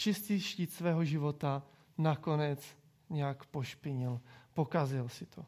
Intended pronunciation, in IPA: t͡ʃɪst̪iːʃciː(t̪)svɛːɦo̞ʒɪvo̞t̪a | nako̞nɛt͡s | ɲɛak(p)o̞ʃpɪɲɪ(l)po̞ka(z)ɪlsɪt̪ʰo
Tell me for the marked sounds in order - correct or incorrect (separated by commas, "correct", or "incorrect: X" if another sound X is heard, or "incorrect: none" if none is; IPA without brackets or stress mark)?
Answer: correct, correct, correct, correct